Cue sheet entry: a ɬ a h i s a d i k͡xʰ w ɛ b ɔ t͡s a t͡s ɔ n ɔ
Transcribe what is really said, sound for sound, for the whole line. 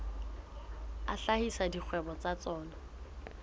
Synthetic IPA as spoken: a ɬ a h i s a d i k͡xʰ w ɛ b ɔ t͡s a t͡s ɔː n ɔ